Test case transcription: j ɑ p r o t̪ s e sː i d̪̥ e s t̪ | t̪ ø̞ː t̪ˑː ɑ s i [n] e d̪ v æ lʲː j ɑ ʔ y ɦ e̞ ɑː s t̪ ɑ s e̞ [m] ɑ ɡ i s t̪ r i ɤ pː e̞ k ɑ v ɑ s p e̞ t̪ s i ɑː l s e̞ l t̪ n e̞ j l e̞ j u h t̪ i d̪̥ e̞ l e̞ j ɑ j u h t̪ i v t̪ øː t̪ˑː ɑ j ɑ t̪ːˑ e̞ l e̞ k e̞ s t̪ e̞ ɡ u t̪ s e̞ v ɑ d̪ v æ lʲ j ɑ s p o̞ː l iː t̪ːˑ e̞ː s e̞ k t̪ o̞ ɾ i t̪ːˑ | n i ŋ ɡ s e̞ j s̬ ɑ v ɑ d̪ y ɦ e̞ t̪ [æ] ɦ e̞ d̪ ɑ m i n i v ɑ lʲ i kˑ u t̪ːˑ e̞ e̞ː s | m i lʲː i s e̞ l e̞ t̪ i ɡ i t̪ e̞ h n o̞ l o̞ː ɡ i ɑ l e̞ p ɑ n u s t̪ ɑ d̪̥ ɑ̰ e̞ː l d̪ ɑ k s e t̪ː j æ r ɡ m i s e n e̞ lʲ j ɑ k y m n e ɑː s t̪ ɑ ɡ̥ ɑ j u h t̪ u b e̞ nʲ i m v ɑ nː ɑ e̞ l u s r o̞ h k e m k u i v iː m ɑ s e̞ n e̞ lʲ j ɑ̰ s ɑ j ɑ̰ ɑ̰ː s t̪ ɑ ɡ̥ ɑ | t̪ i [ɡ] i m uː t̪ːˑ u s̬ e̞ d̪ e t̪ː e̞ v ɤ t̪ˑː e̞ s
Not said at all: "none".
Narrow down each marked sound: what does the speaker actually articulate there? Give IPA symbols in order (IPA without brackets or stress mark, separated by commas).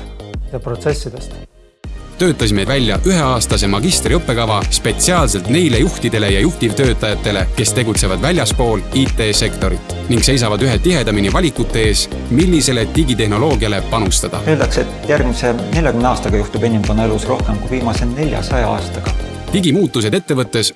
m, m, i, ɡ